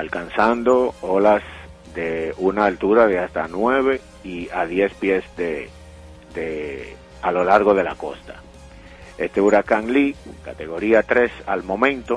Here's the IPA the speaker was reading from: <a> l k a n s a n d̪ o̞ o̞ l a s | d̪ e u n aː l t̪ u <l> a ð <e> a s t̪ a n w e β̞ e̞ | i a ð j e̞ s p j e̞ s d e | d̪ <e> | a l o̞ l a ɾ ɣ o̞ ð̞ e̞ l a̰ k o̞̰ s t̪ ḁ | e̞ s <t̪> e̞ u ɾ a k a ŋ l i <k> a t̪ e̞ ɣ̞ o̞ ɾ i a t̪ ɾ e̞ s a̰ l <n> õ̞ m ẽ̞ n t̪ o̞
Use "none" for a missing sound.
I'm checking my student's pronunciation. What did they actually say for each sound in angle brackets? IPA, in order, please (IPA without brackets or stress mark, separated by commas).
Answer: a, ɾ, e, e, t̪, k, m